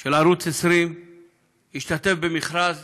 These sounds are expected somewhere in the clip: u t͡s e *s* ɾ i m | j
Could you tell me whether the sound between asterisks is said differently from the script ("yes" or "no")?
no